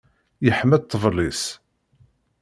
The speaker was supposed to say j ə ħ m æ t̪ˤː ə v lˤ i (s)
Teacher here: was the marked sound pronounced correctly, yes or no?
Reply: yes